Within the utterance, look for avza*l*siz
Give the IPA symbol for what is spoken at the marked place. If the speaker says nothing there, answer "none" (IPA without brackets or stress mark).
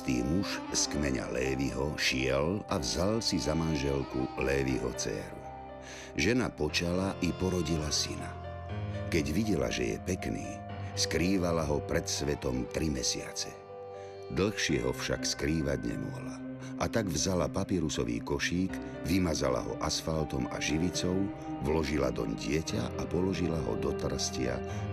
l